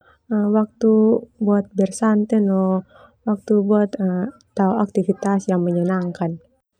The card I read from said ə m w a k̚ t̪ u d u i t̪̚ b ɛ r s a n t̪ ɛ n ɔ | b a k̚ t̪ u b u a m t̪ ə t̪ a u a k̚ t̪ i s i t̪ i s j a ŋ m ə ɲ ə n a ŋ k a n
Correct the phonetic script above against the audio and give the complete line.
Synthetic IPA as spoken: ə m w a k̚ t̪ u b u a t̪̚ b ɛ r s a n t̪ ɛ n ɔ | w a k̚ t̪ u b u a t̪ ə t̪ a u a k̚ t̪ i f i t̪ a s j a ŋ m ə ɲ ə n a ŋ k a n